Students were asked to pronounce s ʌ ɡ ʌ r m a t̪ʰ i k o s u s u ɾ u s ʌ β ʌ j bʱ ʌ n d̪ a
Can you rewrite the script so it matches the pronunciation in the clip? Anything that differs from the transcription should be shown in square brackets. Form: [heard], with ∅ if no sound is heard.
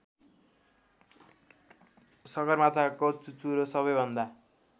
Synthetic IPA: s ʌ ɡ ʌ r m a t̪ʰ [a] k o [t͡s] u [t͡s] u ɾ [o] s ʌ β ʌ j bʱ ʌ n d̪ a